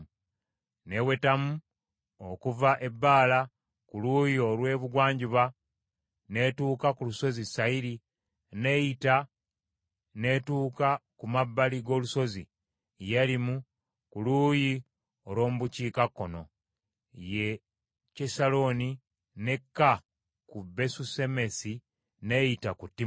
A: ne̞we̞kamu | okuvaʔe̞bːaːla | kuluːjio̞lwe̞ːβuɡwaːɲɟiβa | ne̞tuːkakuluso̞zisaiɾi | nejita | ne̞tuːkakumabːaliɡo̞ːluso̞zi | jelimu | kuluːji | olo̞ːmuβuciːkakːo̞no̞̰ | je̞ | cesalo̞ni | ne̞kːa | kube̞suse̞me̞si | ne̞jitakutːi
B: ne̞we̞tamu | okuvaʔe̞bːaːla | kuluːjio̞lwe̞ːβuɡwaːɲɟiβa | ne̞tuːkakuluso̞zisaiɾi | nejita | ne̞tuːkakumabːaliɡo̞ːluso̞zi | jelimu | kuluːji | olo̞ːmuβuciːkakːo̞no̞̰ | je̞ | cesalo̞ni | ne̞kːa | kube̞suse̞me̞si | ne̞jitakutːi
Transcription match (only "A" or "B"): B